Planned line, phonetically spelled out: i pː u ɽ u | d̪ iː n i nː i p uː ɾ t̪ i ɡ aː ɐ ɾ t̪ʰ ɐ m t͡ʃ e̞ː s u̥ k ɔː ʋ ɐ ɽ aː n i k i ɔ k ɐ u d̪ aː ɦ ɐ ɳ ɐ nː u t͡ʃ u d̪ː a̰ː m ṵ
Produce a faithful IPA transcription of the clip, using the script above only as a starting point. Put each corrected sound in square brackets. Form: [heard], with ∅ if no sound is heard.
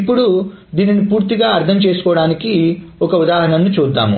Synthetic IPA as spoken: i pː u ɽ u | d̪ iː n i [n] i p uː ɾ t̪ i ɡ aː ɐ ɾ t̪ʰ ɐ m t͡ʃ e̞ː s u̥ k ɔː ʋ ɐ ɽ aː n i k i ɔ k ɐ u d̪ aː ɦ ɐ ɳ ɐ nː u t͡ʃ [uː] d̪ː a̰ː m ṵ